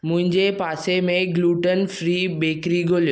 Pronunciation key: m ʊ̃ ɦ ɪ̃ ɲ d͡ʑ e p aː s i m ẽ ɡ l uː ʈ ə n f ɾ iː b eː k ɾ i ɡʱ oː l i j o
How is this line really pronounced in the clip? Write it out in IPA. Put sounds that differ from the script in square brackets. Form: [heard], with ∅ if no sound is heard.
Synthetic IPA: m ʊ̃ ɦ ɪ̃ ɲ d͡ʑ e p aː s [e] m ẽ ɡ l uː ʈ ə n f ɾ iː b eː k ɾ i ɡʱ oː l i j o